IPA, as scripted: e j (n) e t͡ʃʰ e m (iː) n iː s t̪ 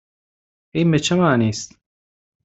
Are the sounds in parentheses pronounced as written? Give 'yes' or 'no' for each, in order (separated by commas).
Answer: no, no